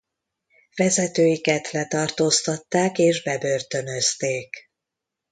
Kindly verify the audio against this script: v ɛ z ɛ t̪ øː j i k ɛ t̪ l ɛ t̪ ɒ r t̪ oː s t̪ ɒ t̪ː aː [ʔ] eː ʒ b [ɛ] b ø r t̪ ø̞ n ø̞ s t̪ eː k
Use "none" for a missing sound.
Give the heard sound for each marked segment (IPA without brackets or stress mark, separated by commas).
k, ɛ